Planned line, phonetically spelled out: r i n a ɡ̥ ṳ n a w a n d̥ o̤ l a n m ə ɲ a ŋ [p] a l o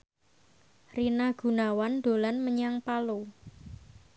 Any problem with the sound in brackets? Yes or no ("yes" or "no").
no